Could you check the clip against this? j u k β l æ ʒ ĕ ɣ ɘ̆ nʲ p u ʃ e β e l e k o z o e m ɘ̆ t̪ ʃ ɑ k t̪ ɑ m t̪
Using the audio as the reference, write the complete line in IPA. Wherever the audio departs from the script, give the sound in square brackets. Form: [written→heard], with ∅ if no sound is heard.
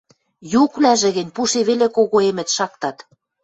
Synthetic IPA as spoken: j u k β l æ ʒ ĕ ɣ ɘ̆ nʲ p u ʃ e β e l e k o [z→ɣ] o e m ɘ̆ t̪ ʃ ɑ k t̪ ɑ [m→∅] t̪